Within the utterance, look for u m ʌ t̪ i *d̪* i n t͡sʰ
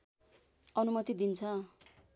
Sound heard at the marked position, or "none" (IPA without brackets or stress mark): d̪